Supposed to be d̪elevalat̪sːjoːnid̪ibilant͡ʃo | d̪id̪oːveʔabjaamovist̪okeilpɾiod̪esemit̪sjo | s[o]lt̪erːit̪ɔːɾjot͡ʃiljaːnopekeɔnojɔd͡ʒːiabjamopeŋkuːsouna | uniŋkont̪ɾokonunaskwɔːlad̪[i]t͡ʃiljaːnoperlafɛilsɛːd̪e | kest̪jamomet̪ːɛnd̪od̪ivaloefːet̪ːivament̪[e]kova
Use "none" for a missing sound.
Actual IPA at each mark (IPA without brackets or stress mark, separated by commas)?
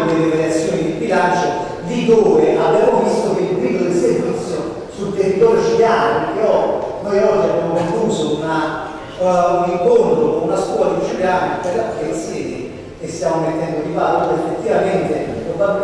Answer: u, i, e